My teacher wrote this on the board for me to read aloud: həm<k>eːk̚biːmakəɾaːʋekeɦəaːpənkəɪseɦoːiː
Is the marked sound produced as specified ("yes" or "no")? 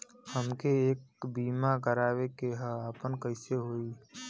yes